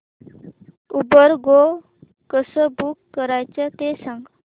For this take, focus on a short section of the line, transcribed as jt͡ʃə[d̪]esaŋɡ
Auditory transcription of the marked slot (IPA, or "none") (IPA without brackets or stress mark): t̪